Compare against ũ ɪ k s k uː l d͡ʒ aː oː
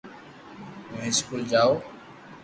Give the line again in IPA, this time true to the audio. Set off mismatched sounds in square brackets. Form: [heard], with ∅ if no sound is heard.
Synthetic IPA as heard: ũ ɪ [∅] s k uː l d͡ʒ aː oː

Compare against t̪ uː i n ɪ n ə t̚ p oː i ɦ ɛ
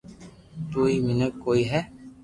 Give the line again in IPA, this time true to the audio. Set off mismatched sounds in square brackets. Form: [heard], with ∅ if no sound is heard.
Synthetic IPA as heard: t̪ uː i [m] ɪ n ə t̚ [k] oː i ɦ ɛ

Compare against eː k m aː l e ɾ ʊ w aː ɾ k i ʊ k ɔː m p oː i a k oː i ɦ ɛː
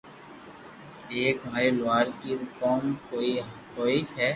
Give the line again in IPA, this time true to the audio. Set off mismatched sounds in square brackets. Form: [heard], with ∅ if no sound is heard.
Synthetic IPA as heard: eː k m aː [ɾ] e [l] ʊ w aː ɾ k i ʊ k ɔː m [k] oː i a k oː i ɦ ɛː

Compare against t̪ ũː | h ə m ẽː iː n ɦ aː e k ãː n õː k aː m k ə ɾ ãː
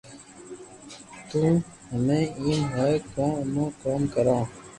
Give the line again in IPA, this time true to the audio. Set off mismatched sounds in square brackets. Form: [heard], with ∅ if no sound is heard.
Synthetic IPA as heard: t̪ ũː | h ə m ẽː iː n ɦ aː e k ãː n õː k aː m k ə ɾ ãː

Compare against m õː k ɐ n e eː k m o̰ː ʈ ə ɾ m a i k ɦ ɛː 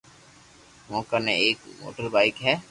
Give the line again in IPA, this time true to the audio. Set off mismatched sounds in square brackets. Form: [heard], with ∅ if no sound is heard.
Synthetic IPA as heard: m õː k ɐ n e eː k m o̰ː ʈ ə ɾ [b] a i k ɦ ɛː

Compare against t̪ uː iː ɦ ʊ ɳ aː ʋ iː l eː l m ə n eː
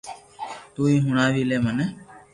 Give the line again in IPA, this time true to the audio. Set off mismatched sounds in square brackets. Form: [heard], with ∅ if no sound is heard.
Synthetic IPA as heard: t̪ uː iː ɦ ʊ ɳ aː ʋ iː l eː [∅] m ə n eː

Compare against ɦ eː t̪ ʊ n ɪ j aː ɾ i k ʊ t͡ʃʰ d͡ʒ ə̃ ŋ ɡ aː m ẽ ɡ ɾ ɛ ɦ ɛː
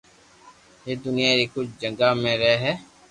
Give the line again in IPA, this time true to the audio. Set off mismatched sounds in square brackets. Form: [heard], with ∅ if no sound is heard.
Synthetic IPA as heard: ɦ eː [d̪] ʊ n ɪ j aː ɾ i k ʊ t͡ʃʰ d͡ʒ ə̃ ŋ ɡ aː m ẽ [∅] ɾ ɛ ɦ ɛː

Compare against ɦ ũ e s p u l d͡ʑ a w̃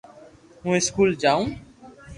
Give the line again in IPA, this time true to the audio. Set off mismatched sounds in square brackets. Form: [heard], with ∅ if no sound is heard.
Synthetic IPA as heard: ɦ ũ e s [k] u l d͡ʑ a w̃

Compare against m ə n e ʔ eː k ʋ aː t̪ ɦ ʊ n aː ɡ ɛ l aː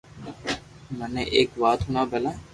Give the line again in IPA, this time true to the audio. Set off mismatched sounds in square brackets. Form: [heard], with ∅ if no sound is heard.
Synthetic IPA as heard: m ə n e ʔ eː k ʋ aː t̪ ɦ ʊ n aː [b] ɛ l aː

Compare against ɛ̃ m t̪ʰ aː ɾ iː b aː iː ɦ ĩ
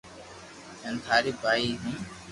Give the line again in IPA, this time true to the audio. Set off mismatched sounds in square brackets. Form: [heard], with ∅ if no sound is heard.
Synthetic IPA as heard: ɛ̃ [n] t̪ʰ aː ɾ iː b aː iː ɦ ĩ

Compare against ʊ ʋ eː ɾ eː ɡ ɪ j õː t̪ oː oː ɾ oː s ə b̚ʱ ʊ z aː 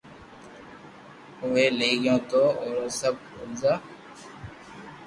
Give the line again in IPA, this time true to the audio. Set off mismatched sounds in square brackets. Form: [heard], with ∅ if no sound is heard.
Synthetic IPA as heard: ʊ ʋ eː [l] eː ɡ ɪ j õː t̪ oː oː ɾ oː s ə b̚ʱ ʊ z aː

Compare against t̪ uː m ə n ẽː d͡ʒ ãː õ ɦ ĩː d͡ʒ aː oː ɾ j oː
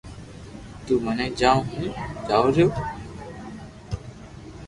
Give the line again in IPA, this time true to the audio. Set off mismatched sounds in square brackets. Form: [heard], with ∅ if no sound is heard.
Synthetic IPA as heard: t̪ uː m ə n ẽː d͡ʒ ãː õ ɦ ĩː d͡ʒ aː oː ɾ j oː

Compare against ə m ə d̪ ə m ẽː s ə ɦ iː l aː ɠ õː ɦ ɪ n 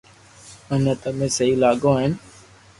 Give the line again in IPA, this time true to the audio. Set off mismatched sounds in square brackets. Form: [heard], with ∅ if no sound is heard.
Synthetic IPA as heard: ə [n] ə [t̪] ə m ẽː s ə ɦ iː l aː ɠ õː ɦ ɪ n

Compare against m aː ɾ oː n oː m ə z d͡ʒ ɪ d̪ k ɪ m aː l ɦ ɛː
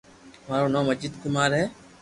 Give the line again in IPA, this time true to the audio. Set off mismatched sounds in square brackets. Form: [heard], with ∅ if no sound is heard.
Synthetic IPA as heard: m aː ɾ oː n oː m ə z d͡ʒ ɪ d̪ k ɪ m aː [ɾ] ɦ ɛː

